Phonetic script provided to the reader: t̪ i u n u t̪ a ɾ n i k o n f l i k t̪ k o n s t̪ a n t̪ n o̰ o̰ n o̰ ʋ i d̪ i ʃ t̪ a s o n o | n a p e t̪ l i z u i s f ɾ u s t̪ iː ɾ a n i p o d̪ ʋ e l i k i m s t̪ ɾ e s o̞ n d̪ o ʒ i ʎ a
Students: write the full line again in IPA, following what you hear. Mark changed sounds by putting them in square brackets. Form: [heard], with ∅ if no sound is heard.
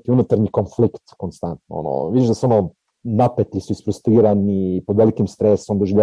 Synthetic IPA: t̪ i u n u t̪ a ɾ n i k o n f l i k t̪ k o n s t̪ a n t̪ n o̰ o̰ n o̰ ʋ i d̪ i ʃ [d̪] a s o n o | n a p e t̪ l i [s] u i s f ɾ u s t̪ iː ɾ a n i p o d̪ ʋ e l i k i m s t̪ ɾ e s o̞ [m] d̪ o ʒ i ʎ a